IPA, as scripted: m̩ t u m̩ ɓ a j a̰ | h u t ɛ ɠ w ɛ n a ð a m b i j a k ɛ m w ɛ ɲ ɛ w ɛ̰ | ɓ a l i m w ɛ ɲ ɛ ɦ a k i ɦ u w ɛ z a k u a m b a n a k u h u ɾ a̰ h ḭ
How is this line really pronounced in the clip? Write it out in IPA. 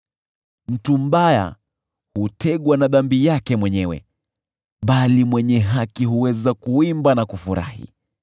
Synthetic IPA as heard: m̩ t u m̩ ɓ a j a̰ | h u t ɛ ɠ w a n a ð a m b i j a k ɛ m w ɛ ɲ ɛ w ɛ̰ | ɓ a l i m w ɛ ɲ ɛ ɦ a k i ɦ u w ɛ z a k u i m b a n a k u f u ɾ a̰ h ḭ